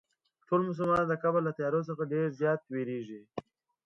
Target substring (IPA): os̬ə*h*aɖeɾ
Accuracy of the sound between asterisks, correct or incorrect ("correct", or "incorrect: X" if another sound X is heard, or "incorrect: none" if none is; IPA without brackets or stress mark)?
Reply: incorrect: x